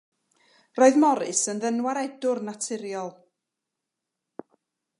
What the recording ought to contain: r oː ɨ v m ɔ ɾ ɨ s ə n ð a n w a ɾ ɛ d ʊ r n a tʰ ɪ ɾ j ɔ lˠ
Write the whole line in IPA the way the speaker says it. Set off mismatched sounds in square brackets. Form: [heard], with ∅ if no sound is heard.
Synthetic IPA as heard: r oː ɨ [ð] m ɔ ɾ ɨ s ə n ð [ə] n w a ɾ ɛ d ʊ r n a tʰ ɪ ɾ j ɔ lˠ